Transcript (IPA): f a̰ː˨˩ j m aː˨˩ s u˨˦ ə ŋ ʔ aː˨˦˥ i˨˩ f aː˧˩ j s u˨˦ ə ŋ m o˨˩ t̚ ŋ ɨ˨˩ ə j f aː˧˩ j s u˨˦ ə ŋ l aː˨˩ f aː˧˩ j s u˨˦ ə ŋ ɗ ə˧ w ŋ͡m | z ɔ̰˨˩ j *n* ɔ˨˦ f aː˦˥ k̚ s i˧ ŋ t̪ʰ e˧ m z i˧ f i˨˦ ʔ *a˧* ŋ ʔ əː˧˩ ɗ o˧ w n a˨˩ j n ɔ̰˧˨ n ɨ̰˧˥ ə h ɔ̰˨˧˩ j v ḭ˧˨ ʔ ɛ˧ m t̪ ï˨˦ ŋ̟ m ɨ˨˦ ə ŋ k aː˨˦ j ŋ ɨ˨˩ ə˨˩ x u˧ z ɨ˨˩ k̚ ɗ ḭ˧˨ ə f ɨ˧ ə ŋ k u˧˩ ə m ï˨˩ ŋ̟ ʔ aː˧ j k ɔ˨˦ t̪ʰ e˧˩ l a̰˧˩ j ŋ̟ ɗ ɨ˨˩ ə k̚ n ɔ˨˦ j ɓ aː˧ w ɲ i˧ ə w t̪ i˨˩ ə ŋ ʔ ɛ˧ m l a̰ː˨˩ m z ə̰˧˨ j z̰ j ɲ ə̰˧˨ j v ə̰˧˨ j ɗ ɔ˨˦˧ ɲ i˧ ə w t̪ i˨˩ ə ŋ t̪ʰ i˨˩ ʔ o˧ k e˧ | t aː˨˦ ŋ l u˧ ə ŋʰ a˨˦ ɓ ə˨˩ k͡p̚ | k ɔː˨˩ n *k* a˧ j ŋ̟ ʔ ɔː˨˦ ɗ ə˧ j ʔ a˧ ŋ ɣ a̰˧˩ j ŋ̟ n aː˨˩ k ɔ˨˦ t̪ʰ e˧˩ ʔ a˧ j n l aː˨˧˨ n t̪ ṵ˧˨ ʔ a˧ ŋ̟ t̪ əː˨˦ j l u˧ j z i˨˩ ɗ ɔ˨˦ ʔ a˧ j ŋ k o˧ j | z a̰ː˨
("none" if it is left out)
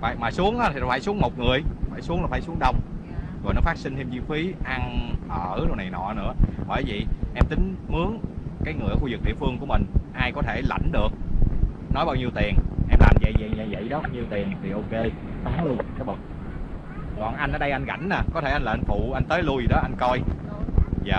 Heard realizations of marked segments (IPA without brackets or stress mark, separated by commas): n, a˧, ʔ